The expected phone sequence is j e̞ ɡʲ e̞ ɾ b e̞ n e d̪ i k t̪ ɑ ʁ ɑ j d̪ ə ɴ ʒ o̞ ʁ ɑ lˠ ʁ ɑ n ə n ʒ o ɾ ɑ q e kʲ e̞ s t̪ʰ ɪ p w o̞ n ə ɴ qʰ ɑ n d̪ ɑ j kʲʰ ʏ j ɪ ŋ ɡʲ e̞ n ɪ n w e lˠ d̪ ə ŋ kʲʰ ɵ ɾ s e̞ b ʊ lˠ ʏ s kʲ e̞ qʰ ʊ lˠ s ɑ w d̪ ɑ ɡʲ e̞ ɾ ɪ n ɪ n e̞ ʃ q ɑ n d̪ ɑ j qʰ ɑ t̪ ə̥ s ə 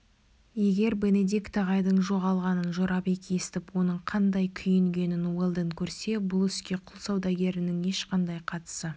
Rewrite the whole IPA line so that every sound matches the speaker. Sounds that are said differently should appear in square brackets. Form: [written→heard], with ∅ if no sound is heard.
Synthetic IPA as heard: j e̞ ɡʲ e̞ ɾ b e̞ n e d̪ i k t̪ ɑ ʁ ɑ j d̪ ə ɴ ʒ o̞ ʁ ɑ lˠ ʁ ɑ n ə n ʒ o ɾ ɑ [q→p] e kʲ e̞ s [t̪ʰ→t̪] ɪ p w o̞ n ə ɴ qʰ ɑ n d̪ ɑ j kʲʰ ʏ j ɪ ŋ ɡʲ e̞ n ɪ n w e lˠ d̪ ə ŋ kʲʰ ɵ ɾ s e̞ b ʊ lˠ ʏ s kʲ e̞ qʰ ʊ lˠ s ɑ w d̪ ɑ ɡʲ e̞ ɾ ɪ n ɪ [n→ŋ] e̞ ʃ q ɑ n d̪ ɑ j qʰ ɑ t̪ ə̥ s ə